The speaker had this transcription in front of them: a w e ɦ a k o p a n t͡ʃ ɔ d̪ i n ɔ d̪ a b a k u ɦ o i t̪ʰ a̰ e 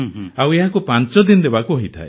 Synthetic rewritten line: a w e ɦ a k u p a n t͡ʃ ɔ d̪ i n ɔ d̪ e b a k u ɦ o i t̪ʰ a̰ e